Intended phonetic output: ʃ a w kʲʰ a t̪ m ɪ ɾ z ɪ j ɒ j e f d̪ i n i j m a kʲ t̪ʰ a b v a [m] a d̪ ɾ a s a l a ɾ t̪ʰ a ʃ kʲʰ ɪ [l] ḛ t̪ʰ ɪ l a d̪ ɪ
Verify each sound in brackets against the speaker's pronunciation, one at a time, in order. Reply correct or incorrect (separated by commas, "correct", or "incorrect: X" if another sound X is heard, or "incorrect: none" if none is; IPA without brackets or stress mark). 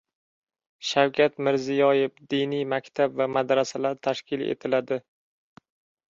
correct, correct